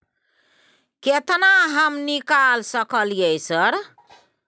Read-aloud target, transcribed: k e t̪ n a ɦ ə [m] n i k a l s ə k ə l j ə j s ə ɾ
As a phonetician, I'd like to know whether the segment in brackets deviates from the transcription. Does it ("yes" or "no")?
no